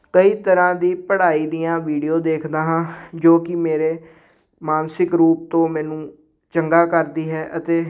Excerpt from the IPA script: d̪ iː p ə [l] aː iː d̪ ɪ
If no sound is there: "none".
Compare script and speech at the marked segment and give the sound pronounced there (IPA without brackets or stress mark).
ɽ